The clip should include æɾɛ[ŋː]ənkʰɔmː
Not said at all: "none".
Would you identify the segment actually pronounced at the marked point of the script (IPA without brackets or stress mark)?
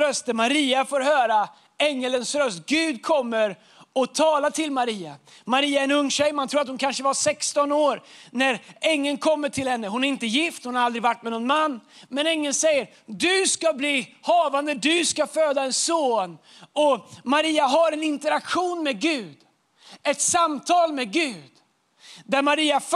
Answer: ŋː